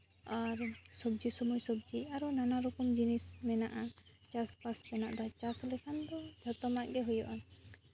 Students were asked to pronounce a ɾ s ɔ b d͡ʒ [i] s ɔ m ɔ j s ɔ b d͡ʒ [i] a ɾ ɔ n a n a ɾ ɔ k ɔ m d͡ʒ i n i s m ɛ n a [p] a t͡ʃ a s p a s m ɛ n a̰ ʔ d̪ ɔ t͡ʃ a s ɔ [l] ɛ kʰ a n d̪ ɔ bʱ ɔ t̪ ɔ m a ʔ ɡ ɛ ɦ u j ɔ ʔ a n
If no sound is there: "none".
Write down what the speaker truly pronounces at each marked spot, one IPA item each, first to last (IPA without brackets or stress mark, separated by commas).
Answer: i, i, ʔ, l